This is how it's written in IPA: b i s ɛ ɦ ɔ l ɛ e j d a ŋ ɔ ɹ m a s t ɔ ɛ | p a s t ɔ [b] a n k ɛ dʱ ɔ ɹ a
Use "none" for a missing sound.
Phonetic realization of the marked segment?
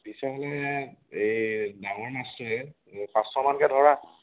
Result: m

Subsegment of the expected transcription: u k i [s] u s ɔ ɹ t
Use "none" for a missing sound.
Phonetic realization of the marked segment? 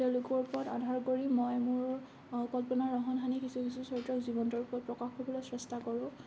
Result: s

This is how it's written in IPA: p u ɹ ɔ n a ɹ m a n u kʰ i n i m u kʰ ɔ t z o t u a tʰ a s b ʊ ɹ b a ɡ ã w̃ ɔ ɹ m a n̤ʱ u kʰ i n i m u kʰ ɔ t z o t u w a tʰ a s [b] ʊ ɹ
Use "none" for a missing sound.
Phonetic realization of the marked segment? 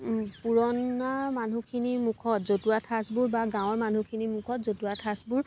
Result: b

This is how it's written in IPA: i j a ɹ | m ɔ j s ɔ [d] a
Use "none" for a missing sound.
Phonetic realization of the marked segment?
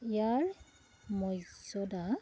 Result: d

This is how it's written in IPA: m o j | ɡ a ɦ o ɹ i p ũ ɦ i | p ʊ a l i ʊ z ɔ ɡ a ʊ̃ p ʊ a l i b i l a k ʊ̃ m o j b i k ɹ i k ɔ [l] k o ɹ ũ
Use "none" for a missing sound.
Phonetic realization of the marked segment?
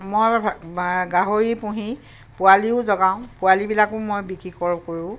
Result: ɹ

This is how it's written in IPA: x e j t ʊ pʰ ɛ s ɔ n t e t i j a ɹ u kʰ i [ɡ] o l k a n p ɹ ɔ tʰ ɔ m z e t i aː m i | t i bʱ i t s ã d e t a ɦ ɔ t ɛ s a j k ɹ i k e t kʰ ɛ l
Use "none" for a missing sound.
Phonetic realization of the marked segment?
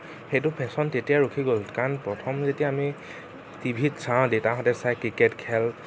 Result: ɡ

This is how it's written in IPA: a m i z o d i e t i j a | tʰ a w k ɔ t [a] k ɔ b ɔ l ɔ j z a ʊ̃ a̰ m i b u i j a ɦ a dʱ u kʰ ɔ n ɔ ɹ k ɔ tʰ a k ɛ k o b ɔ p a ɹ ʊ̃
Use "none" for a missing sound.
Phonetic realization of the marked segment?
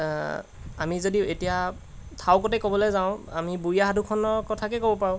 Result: ɛ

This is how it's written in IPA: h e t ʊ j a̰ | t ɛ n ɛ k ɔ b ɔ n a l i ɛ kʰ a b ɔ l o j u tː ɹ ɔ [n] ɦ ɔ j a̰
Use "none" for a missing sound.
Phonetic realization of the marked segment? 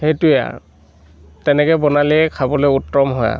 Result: m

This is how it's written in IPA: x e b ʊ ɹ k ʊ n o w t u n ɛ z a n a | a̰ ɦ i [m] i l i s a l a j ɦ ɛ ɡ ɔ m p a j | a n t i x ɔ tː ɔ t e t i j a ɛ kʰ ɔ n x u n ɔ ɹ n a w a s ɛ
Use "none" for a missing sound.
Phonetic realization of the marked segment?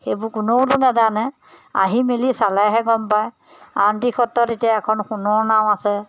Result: m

